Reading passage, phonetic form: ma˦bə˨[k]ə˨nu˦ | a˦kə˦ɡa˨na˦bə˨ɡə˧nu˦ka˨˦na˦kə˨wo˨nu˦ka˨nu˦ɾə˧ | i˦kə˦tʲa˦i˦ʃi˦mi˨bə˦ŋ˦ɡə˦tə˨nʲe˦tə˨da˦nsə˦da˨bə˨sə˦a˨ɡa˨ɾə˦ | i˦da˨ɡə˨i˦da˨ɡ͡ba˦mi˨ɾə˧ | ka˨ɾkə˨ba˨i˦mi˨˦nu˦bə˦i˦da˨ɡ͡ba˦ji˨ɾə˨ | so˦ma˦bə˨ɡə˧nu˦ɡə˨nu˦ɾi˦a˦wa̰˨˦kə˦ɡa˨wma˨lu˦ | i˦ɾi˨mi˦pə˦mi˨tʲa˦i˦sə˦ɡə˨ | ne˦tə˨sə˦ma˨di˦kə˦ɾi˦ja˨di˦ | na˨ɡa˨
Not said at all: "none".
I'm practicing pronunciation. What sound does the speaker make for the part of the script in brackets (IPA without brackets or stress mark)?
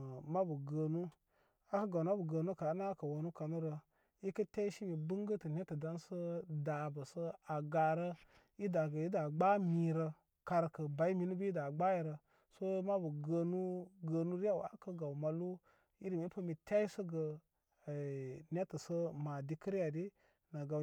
ɡ